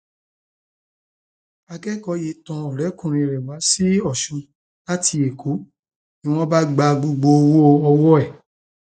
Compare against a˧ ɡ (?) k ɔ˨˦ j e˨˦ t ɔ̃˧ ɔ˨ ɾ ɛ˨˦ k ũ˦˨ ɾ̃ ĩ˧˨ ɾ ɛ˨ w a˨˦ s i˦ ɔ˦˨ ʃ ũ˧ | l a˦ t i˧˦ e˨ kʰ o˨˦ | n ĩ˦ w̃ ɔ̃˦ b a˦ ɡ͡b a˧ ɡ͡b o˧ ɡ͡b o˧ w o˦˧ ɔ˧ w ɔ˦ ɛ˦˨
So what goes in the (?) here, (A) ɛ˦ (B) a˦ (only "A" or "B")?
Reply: A